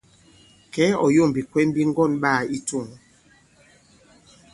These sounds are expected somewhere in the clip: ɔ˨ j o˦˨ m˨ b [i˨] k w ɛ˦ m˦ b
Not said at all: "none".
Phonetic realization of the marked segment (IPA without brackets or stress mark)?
i˨